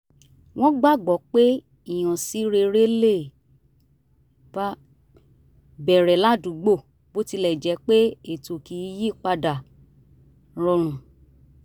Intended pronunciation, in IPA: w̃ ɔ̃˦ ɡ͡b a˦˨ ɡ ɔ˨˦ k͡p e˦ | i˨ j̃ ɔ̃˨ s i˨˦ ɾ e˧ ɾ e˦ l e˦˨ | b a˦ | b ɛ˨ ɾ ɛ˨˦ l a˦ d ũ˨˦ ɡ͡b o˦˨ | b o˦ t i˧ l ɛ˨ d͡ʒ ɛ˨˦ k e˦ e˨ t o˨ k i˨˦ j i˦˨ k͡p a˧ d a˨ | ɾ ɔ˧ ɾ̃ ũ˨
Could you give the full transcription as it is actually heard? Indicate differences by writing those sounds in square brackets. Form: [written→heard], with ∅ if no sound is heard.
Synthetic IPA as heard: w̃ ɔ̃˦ ɡ͡b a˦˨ [ɡ→ɡ͡b] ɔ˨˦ k͡p e˦ | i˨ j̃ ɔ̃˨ s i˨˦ ɾ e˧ ɾ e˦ l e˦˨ | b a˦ | b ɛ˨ ɾ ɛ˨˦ l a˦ d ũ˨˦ ɡ͡b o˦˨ | b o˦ t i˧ l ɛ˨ d͡ʒ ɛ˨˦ [k→k͡p] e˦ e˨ t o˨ k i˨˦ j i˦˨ k͡p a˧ d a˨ | ɾ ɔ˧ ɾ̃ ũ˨